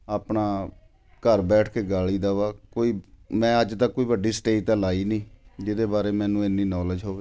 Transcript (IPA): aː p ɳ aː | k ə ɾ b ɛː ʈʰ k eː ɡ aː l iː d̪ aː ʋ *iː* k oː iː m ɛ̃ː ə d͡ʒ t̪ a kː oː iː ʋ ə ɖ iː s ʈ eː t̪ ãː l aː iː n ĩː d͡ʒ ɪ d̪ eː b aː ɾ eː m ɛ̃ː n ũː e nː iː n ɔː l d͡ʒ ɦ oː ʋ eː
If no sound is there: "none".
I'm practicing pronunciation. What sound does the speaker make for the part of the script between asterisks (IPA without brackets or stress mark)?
aː